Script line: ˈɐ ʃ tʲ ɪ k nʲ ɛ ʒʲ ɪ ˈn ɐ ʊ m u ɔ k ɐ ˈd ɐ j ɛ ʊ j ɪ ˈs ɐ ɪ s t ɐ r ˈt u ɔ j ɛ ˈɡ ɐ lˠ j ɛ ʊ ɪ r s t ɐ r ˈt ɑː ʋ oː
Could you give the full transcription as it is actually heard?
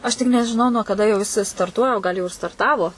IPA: ˈɐ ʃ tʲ ɪ k nʲ ɛ ʒʲ ɪ ˈn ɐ ʊ n u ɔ k ɐ ˈd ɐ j ɛ ʊ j ɪ ˈs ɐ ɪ s t ɐ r ˈt u ɔ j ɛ ˈɡ ɐ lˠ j ɛ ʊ ɪ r s t ɐ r ˈt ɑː ʋ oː